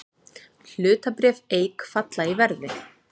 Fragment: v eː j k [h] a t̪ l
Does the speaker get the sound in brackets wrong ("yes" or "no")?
yes